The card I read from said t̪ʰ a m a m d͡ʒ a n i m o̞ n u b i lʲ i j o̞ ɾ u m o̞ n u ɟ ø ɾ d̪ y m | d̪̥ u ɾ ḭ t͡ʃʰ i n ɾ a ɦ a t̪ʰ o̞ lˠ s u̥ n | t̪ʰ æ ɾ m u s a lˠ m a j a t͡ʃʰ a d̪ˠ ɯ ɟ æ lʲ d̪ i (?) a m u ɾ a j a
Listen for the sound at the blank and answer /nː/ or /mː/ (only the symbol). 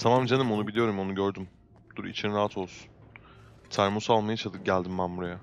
mː